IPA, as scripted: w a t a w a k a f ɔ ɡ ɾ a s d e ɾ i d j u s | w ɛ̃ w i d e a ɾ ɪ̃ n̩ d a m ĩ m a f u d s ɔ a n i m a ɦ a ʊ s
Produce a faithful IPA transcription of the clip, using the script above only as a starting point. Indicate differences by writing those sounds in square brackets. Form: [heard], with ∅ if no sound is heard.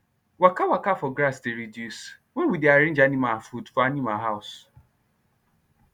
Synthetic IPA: w a [k] a w a k a f ɔ ɡ ɾ a s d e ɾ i d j u s | w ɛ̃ w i d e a ɾ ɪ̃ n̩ [d͡ʒ] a [n] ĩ m a f u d [f] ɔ a n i m a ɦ a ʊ s